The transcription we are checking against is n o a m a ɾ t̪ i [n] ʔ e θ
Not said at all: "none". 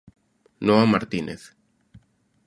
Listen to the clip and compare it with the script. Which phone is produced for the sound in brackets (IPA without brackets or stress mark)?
n